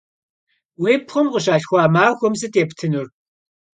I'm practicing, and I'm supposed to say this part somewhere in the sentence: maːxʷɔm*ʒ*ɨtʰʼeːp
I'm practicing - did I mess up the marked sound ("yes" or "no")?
yes